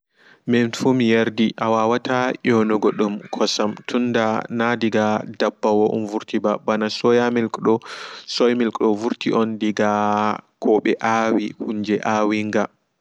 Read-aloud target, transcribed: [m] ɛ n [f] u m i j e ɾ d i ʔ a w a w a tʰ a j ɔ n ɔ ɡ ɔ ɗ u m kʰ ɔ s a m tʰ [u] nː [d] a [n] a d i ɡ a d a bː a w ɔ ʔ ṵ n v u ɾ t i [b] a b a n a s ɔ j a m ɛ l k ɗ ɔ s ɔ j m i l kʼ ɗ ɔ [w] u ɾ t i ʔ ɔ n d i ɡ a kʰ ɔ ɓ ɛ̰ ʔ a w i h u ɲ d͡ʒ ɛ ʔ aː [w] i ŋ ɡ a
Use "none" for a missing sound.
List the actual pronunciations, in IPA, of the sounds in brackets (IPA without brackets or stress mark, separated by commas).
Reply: m, f, u, d, n, b, v, w